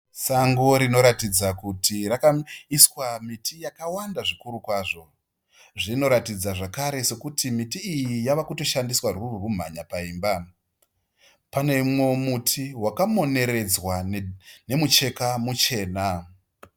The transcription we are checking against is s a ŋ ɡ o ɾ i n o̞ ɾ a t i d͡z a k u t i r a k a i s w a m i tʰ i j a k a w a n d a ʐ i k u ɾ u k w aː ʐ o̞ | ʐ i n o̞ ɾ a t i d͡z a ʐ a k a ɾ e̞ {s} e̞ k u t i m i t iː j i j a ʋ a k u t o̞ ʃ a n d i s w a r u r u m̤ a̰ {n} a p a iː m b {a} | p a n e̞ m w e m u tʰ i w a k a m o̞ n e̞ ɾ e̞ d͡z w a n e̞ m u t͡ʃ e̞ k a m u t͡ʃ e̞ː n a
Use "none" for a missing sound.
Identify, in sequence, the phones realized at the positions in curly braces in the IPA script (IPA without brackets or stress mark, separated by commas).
s, ɲ, a